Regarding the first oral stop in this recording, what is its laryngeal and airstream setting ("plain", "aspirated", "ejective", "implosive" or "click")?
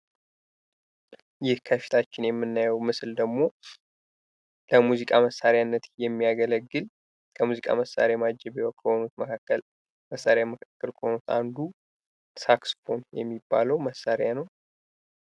aspirated